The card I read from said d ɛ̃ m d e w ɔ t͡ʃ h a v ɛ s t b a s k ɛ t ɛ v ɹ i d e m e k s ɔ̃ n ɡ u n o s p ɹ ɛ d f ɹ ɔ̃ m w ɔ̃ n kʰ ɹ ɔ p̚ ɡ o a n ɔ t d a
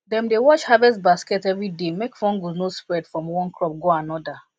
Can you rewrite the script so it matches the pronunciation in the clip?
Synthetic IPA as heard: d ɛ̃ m d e w ɔ t͡ʃ h a v ɛ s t b a s k ɛ t ɛ v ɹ i d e m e k f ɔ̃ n ɡ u n o s p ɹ ɛ d f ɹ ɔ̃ m w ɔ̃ n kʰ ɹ ɔ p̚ ɡ o a n ɔ d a